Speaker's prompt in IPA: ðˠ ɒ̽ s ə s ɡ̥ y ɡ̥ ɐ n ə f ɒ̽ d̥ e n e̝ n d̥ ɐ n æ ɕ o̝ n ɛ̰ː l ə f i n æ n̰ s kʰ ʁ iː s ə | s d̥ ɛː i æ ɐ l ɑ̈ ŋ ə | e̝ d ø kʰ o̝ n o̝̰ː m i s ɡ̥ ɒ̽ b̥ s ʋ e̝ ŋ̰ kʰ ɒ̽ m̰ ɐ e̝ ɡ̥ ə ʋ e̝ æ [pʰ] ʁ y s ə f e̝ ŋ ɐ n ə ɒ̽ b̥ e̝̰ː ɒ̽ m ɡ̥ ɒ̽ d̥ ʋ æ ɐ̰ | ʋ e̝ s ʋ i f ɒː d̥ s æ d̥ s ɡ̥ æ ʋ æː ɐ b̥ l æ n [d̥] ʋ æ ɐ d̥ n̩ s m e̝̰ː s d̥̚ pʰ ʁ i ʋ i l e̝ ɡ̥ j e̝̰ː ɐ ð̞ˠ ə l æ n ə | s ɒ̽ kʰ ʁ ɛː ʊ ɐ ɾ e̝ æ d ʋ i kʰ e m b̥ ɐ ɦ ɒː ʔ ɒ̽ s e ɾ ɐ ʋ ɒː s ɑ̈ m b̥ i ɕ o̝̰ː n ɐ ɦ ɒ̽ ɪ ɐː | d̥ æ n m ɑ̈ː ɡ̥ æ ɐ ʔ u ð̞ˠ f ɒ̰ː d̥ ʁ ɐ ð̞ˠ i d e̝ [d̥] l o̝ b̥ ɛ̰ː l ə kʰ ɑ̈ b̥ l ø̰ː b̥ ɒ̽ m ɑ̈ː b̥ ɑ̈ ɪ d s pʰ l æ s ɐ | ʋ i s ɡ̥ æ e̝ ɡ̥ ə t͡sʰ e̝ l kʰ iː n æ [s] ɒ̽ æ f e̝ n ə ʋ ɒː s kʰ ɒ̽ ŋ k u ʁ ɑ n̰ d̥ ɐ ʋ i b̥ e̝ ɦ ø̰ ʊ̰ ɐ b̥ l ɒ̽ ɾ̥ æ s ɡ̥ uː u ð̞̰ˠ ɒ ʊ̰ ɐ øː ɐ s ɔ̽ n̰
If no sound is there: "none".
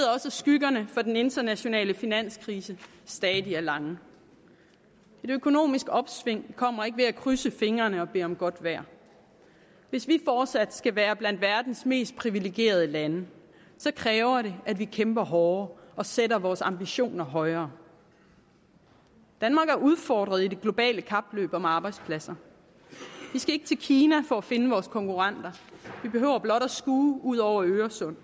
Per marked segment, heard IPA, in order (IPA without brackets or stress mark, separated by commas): kʰ, d̥, ɡ̥, f